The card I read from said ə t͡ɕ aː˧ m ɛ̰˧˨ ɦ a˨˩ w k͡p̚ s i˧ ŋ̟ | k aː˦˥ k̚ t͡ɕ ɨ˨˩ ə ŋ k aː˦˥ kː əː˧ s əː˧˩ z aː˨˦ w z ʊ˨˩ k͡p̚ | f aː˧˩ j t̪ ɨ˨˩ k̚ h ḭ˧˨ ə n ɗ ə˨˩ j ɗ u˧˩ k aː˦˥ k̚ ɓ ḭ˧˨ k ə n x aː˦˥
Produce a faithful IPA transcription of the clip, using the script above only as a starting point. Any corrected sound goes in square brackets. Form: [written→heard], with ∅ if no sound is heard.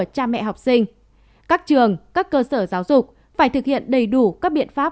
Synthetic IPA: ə t͡ɕ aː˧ m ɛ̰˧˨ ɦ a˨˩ w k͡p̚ s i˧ ŋ̟ | k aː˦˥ k̚ t͡ɕ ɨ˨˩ ə ŋ k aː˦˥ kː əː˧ s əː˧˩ z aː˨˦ w z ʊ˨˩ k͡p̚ | f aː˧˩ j t̪ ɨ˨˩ k̚ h ḭ˧˨ ə n ɗ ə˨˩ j ɗ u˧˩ k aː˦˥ k̚ ɓ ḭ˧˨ [k→∅] ə n [x→f] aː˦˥